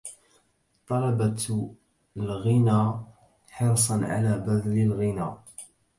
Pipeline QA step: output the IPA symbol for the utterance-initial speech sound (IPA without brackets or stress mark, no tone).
t̪ˤ